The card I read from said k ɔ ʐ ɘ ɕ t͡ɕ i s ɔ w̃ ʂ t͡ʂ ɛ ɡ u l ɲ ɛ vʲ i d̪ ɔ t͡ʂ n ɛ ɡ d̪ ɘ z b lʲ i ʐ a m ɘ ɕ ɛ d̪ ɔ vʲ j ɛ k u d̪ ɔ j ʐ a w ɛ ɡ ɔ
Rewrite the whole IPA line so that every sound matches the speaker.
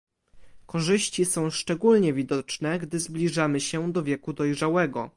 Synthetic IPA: k ɔ ʐ ɘ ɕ t͡ɕ i s ɔ̃ w̃ ʂ t͡ʂ ɛ ɡ u l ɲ ɛ vʲ i d̪ ɔ t͡ʂ n ɛ ɡ d̪ ɘ z b lʲ i ʐ a m ɘ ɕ ɛ d̪ ɔ vʲ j ɛ k u d̪ ɔ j ʐ a w ɛ ɡ ɔ